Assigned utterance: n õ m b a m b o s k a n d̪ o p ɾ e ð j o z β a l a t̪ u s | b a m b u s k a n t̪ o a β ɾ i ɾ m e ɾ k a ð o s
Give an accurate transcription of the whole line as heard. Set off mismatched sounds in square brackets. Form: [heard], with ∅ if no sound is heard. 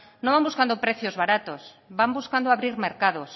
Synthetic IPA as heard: n õ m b a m b [u] s k a n d̪ o p ɾ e [θ] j o z β a [ɾ] a t̪ [o] s | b a m b u s k a n [d̪] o a β ɾ i ɾ m e ɾ k a ð o s